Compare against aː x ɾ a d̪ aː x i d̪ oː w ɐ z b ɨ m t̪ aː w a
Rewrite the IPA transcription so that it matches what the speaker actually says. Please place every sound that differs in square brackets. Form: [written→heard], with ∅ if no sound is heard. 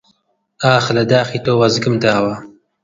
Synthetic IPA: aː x [ɾ→l] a d̪ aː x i [d̪→t̪] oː w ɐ z [b→ɡ] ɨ m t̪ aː w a